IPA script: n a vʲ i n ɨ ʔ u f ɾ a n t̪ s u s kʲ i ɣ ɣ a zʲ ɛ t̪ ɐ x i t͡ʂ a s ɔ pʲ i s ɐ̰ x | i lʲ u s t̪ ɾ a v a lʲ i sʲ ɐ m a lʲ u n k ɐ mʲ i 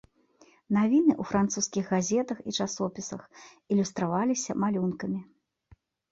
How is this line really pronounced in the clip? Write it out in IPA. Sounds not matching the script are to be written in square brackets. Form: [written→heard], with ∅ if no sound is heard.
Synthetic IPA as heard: n a vʲ i n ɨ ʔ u f ɾ a n t̪ s u s kʲ i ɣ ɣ a zʲ ɛ t̪ ɐ x i t͡ʂ a s ɔ pʲ i s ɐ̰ x | i lʲ u s t̪ ɾ a v a lʲ i sʲ ɐ m a lʲ u n k ɐ mʲ i